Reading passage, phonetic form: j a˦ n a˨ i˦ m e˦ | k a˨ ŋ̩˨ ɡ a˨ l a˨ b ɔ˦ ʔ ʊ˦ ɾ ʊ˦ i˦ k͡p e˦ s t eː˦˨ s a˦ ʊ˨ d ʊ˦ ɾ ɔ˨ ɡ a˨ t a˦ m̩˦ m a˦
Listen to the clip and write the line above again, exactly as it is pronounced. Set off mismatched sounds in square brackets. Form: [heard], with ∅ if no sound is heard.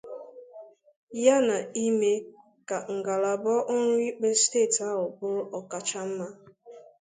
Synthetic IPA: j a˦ n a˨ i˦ m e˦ | k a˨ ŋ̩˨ ɡ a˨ l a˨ b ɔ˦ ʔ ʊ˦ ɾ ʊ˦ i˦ k͡p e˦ s t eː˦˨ [t] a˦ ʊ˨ [b] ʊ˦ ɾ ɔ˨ [k] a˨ [t͡ʃ] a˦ m̩˦ m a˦